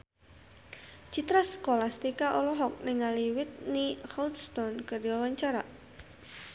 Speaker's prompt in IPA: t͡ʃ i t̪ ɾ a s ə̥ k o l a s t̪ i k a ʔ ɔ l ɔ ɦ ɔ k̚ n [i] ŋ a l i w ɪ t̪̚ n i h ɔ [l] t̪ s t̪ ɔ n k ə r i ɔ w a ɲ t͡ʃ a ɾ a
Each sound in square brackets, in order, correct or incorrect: incorrect: ɪ, correct

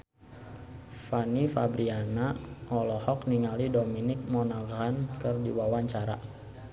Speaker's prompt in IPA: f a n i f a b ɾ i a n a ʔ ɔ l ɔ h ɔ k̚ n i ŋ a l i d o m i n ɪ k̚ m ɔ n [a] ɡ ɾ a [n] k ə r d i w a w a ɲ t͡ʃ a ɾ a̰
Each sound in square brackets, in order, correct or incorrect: correct, correct

